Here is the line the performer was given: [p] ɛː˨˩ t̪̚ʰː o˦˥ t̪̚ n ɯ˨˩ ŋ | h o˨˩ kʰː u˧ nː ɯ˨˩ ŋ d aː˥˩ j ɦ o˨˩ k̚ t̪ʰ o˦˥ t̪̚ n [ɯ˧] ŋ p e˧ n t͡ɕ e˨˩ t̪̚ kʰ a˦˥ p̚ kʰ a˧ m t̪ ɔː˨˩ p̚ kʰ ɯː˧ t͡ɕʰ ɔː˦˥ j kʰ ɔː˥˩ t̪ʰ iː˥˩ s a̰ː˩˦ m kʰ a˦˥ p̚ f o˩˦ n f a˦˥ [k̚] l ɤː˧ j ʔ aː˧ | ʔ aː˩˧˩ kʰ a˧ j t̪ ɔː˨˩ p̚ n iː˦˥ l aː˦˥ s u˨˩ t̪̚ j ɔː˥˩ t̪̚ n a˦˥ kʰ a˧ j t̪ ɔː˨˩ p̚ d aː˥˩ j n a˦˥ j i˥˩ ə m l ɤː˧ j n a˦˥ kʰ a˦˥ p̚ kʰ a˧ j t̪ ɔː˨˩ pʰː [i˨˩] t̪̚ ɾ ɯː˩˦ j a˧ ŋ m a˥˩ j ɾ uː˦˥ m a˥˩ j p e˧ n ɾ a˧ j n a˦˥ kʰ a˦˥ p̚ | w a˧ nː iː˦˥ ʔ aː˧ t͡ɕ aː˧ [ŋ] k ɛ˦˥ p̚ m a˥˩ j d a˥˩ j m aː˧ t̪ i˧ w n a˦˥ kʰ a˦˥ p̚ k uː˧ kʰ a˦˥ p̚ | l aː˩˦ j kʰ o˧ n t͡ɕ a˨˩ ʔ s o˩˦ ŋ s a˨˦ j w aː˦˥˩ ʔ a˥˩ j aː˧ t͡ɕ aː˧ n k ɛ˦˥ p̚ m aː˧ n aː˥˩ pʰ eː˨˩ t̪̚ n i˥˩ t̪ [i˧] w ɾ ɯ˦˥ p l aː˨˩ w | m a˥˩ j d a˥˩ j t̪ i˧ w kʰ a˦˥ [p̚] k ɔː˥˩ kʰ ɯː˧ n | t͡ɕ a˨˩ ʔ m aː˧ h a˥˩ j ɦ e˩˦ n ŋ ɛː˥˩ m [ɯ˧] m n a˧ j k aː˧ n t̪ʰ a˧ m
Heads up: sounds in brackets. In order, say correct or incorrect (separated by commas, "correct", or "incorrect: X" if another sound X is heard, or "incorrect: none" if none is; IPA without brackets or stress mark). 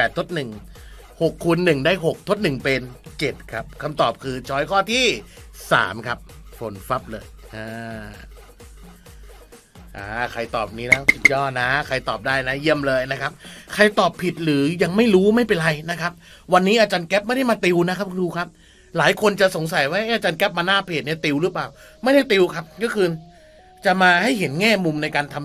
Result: correct, incorrect: ɯ˨˩, incorrect: p̚, correct, incorrect: n, correct, correct, incorrect: u˧